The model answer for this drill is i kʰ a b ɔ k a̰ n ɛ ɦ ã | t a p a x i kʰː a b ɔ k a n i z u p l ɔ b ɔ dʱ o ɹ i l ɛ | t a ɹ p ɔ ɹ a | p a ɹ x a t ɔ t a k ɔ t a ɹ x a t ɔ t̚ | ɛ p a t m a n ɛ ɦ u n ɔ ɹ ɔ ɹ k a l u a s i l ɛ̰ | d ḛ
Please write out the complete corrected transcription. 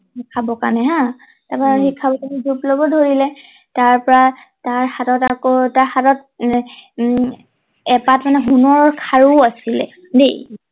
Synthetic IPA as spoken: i kʰ a b ɔ k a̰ n ɛ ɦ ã | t a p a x i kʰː a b ɔ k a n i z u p l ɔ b ɔ dʱ o ɹ i l ɛ | t a ɹ p ɔ ɹ a | t a ɹ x a t ɔ t a k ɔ t a ɹ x a t ɔ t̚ | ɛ p a t m a n ɛ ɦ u n ɔ ɹ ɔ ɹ kʰ a ɹ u a s i l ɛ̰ | d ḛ

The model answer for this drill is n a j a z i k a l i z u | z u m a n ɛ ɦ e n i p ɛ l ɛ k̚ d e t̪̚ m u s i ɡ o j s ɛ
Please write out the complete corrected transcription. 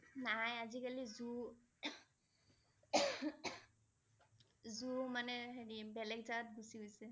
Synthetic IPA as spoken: n a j a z i k a l i z u | z u m a n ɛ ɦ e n i b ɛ l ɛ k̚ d a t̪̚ b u s i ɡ o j s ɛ

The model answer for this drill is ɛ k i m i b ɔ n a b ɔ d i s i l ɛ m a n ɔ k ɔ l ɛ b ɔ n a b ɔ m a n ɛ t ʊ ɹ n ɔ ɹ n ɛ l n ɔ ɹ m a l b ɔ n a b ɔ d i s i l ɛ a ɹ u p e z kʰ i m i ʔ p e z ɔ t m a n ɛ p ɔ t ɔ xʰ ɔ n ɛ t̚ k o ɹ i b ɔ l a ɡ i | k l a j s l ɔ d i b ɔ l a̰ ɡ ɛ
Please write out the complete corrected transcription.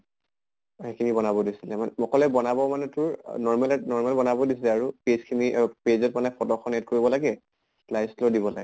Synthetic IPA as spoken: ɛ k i m i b ɔ n a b ɔ d i s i l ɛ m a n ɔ k ɔ l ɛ b ɔ n a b ɔ m a n ɛ t ʊ ɹ n ɔ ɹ m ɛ l n ɔ ɹ m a l b ɔ n a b ɔ d i s i l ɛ a ɹ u p e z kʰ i m i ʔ p e z ɔ t m a n ɛ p ɔ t ɔ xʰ ɔ n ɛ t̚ k o ɹ i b ɔ l a ɡ ɛ | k l a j s l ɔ d i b ɔ l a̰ ɡ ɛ

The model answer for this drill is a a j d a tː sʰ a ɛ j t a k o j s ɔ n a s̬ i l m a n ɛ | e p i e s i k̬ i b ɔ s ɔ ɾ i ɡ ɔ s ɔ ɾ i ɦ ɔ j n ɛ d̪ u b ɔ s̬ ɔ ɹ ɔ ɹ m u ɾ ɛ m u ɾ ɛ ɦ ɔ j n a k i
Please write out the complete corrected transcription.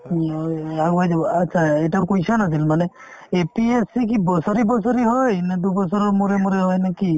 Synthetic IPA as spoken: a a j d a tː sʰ a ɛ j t a k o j s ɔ n a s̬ i l m a n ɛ | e p i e s i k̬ i b ɔ s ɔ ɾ i b ɔ s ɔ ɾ i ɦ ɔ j n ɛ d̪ u b ɔ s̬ ɔ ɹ ɔ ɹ m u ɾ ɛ m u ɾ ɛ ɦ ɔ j n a k i

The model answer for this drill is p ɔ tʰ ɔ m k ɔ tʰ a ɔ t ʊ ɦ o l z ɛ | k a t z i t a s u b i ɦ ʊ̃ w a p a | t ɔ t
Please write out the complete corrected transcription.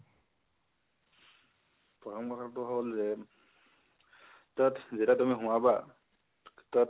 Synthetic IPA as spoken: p ɔ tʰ ɔ m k ɔ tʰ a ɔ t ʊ ɦ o l z ɛ | t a t z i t a t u m i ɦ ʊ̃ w a b a | t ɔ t

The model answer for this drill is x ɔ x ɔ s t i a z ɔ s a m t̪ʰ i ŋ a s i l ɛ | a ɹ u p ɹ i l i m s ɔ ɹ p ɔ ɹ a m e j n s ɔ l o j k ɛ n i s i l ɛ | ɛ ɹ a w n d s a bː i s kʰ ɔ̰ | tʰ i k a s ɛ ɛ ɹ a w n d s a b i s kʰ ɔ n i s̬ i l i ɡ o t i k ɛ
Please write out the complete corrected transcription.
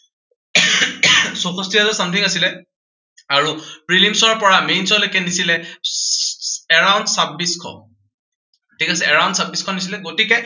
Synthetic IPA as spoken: s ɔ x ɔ s t i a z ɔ s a m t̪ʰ i ŋ a s i l ɛ | a ɹ u p ɹ i l i m s ɔ ɹ p ɔ ɹ a m e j n s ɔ l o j k ɛ n i s i l ɛ | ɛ ɹ a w n d s a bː i s kʰ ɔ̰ | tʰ i k a s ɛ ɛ ɹ a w n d s a b i s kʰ ɔ n i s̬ i l ɛ ɡ o t i k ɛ

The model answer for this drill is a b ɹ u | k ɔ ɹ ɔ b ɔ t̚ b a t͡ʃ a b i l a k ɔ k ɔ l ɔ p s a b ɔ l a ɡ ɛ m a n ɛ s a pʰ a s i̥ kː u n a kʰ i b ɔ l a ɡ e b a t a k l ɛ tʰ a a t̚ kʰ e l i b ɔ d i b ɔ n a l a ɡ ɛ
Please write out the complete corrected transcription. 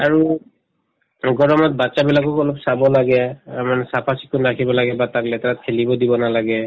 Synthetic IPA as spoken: a ɹ u | ɡ ɔ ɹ ɔ m ɔ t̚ b a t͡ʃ a b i l a k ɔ k ɔ l ɔ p s a b ɔ l a ɡ ɛ m a n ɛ s a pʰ a s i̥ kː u n a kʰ i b ɔ l a ɡ ɛ b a t a k l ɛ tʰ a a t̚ kʰ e l i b ɔ d i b ɔ n a l a ɡ ɛ

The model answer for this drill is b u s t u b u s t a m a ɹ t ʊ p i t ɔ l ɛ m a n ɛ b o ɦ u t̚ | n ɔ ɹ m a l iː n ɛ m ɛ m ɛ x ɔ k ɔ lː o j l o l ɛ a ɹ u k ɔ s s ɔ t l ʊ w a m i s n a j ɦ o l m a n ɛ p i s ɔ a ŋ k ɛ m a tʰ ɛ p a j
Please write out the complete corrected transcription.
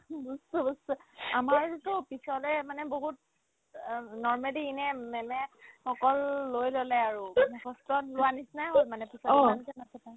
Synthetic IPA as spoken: b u s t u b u s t a m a ɹ t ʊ p i s ɔ l ɛ m a n ɛ b o ɦ u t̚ | n ɔ ɹ m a l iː n ɛ m ɛ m ɛ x ɔ k ɔ lː o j l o l ɛ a ɹ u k ɔ s t ɔ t l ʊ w a n i s n a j ɦ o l m a n ɛ p i s ɔ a n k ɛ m a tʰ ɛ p a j

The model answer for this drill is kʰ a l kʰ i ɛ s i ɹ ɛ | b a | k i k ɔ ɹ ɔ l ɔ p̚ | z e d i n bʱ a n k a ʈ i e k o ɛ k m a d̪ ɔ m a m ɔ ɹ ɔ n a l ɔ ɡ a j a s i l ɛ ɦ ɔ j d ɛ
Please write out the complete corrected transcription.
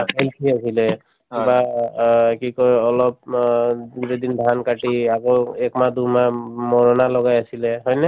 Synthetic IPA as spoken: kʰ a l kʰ i a s i l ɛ | b a | k i k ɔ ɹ ɔ l ɔ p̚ | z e d i n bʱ a n k a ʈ i a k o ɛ k m a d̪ u m a m ɔ ɹ ɔ n a l ɔ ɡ a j a s i l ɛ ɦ ɔ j n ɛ

